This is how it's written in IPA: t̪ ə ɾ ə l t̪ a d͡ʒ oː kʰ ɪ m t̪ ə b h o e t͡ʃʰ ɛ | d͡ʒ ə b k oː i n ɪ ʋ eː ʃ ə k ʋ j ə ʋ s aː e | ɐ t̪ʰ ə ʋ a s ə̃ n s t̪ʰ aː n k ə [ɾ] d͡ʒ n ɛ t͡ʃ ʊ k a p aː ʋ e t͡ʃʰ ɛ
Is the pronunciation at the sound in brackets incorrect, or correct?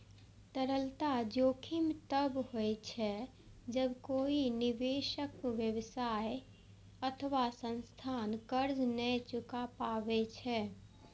correct